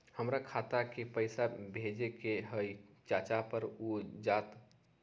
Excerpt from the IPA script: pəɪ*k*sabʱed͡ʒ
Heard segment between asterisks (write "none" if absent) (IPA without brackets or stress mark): none